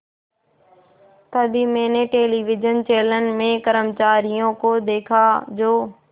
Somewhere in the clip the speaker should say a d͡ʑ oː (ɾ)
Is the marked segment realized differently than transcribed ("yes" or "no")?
yes